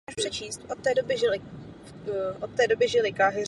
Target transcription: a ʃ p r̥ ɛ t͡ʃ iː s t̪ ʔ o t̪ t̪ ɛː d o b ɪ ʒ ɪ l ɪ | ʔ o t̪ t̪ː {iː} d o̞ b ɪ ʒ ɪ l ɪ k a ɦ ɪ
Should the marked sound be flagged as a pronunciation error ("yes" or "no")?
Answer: yes